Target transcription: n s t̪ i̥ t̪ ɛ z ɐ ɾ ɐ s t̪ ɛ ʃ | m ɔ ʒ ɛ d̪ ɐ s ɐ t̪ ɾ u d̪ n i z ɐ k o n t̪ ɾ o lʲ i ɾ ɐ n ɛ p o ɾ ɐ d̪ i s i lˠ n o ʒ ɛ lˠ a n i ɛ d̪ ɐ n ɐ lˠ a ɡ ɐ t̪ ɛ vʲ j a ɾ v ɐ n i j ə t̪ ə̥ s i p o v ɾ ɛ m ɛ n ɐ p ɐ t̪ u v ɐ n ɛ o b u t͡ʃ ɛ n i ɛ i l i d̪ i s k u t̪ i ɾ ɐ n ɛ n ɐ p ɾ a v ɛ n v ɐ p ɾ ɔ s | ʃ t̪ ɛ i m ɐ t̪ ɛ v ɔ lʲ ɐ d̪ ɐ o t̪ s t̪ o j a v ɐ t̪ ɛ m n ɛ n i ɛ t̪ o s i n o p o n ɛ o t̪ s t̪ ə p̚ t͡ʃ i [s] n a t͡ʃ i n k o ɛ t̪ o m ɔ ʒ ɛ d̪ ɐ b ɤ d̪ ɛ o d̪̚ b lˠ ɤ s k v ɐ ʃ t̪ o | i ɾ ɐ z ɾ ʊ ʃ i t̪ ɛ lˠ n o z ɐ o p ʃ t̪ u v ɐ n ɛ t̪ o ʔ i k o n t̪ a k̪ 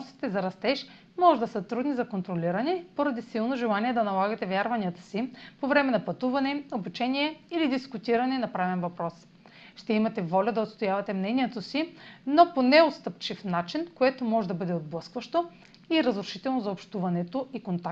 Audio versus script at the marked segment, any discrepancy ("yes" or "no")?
yes